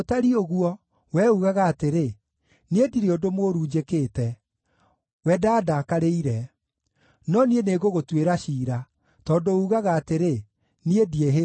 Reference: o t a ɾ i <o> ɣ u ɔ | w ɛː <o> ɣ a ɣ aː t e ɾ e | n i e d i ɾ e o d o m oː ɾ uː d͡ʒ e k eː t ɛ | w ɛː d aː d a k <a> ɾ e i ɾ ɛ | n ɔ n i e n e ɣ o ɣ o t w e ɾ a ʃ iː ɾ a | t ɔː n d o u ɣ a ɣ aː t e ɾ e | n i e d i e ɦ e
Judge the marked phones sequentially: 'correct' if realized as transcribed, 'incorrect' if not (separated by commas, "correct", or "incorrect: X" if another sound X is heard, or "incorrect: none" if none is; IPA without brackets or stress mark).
correct, incorrect: u, correct